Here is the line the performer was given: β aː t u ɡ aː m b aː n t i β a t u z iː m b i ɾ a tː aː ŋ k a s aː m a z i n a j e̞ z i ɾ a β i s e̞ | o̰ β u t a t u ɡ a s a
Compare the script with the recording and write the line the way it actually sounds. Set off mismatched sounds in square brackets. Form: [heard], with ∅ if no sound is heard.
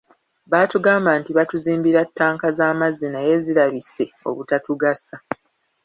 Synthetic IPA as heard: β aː t u ɡ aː m b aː n t i β a t u z iː m b i ɾ a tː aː ŋ k a [z] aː m a z i n a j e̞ z i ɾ a β i s e̞ | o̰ β u t a t u ɡ a s a